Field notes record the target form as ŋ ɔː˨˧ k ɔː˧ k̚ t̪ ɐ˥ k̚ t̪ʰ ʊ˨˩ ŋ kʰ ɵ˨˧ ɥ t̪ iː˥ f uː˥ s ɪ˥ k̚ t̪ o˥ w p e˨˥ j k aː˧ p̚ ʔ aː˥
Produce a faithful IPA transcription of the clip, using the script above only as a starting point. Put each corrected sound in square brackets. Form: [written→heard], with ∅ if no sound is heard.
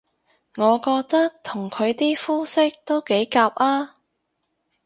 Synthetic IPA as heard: ŋ ɔː˨˧ k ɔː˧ k̚ t̪ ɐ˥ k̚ t̪ʰ ʊ˨˩ ŋ kʰ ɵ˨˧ ɥ t̪ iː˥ f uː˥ s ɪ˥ k̚ t̪ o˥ w [p→k] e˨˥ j k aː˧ p̚ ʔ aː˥